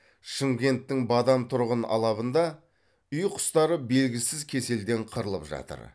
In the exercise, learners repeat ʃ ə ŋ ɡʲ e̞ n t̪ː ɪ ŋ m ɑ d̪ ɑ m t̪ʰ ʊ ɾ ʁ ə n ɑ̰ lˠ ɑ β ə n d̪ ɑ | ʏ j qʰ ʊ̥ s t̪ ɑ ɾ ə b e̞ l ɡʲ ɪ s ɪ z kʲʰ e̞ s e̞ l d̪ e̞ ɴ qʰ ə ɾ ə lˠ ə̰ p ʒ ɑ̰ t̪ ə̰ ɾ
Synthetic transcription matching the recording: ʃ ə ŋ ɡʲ e̞ n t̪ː ɪ ŋ b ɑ d̪ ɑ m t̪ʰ ʊ ɾ ʁ ə n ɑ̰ lˠ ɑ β ə n d̪ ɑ | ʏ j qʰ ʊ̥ s t̪ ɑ ɾ ə b e̞ l ɡʲ ɪ s ɪ z kʲʰ e̞ s e̞ l d̪ e̞ ɴ qʰ ə ɾ ə lˠ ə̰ p ʒ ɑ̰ t̪ ə̰ ɾ